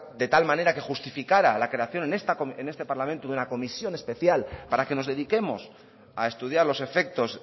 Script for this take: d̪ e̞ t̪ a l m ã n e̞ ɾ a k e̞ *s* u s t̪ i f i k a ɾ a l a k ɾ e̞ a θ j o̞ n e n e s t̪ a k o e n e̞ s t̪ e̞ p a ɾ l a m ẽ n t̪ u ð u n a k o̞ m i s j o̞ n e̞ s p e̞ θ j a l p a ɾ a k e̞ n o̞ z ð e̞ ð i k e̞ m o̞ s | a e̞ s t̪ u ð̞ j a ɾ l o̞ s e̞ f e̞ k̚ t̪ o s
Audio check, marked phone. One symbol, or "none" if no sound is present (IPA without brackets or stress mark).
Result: x